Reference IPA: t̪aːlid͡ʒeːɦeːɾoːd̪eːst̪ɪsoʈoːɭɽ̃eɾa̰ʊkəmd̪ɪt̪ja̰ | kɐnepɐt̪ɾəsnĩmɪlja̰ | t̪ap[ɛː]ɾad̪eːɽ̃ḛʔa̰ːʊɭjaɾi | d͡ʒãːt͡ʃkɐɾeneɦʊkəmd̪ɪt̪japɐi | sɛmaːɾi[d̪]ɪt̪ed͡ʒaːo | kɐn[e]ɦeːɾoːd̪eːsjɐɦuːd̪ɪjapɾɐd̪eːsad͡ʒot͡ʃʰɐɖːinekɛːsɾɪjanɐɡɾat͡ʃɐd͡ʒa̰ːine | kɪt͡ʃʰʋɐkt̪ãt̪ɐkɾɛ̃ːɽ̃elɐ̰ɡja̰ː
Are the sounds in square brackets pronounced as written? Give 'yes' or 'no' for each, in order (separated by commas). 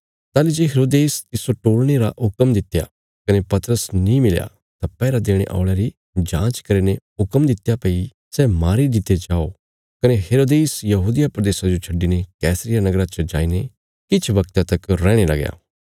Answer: yes, yes, yes